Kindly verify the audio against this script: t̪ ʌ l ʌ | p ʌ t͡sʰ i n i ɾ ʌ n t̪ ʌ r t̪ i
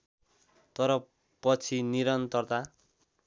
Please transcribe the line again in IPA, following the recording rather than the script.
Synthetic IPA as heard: t̪ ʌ ɾ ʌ | p ʌ t͡sʰ i n i ɾ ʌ n t̪ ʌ r t̪ a

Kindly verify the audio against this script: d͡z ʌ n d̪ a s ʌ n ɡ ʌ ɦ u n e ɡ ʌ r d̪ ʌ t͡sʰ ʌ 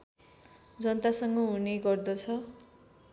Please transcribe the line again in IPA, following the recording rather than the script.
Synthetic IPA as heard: d͡z ʌ n t̪ a s ʌ ŋ ɡ ʌ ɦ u n e ɡ ʌ r d̪ ʌ t͡sʰ ʌ

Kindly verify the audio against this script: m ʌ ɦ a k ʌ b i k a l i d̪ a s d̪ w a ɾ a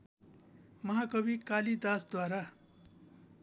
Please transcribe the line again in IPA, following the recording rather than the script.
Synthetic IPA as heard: m ʌ ɦ a k ʌ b i k a l i d̪ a s d̪ w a ɾ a

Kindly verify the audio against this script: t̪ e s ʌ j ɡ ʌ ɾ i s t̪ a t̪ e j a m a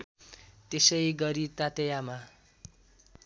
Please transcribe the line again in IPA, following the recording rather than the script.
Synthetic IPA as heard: t̪ e s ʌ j ɡ ʌ ɾ i t̪ a t̪ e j a m a

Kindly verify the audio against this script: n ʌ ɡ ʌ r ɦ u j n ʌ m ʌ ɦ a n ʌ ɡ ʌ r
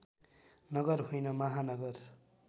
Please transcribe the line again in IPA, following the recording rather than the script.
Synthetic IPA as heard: n ʌ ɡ ʌ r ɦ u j n ʌ m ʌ ɦ a n ʌ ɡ ʌ r

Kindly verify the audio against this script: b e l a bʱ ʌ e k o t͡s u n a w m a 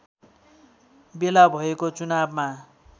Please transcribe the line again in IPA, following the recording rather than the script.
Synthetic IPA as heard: b e l a bʱ ʌ e k o t͡s u n a b m a

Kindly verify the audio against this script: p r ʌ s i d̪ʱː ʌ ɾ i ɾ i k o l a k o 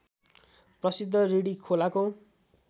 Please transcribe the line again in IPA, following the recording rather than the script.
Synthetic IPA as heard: p r ʌ s i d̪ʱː ʌ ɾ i ɽ i kʰ o l a k o

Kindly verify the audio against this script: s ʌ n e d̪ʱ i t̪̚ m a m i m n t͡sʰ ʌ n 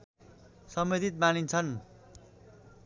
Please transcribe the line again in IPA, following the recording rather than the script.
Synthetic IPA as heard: s ʌ m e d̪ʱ i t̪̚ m a n i n t͡sʰ ʌ n

